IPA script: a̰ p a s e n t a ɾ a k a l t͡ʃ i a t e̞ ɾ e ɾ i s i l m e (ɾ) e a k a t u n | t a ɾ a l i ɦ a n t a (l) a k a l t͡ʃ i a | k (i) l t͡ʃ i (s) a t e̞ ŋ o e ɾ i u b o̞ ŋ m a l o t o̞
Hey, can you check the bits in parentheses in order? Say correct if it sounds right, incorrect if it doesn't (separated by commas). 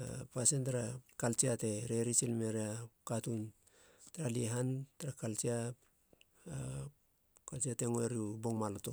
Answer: correct, incorrect, incorrect, incorrect